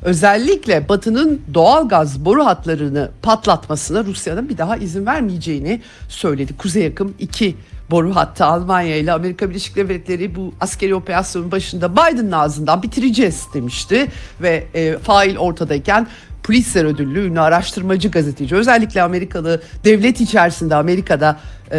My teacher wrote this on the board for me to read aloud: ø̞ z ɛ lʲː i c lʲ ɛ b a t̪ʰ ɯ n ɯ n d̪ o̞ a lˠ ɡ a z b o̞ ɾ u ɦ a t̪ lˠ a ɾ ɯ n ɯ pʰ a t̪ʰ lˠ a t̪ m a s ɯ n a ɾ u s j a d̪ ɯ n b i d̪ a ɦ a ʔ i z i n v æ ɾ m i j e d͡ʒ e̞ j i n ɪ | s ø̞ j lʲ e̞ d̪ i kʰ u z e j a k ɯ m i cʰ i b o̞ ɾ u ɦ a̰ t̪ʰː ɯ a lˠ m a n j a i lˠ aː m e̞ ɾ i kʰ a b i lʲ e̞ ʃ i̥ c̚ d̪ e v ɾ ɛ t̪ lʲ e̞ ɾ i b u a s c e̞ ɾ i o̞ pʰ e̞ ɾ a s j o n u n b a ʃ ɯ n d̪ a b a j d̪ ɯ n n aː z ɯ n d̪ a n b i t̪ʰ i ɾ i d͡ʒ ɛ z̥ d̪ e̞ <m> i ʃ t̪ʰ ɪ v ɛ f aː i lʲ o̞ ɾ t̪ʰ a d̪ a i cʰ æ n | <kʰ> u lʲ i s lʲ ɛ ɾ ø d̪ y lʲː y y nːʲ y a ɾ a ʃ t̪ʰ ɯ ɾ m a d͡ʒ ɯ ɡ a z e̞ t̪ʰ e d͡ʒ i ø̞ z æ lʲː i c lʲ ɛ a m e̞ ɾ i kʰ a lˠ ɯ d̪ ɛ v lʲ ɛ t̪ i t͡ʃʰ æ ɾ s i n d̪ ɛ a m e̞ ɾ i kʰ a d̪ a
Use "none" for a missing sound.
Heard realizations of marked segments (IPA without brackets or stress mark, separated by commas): m, pʰ